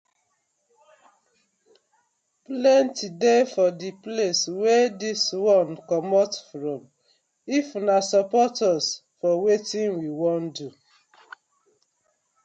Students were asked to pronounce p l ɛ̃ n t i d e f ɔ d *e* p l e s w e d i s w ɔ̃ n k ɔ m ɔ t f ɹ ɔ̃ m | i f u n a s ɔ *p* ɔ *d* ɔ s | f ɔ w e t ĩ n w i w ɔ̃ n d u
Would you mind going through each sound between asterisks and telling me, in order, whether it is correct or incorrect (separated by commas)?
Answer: incorrect, correct, incorrect